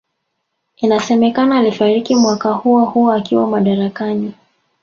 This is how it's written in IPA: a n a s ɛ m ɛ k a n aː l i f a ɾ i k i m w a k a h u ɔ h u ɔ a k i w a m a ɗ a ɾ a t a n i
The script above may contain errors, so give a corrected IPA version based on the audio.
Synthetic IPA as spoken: i n a s ɛ m ɛ k a n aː l i f a ɾ i k i m w a k a h u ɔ h u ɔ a k i w a m a ɗ a ɾ a k a n i